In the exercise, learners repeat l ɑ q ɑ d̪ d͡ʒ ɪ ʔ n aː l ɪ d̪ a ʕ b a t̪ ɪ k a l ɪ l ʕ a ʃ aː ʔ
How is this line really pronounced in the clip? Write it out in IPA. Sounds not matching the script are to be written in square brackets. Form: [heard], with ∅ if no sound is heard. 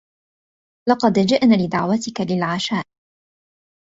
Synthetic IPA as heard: l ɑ q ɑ d̪ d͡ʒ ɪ ʔ n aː l ɪ d̪ a ʕ [w] a t̪ ɪ k a l ɪ l ʕ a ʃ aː ʔ